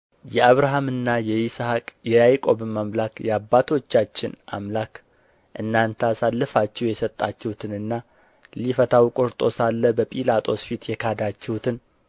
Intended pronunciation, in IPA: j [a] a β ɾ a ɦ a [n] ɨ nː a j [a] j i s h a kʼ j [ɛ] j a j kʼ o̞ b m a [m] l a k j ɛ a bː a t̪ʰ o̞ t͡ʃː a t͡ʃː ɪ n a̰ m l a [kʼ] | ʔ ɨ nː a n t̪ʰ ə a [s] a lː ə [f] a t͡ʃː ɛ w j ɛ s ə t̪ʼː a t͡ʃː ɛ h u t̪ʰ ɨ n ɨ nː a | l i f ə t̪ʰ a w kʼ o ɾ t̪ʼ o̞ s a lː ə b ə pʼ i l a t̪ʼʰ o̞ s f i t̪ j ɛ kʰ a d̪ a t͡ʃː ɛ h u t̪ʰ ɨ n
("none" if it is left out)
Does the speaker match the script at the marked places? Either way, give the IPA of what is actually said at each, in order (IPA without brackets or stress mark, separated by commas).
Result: ɛ, m, ɛ, ɛ, m, k, s, f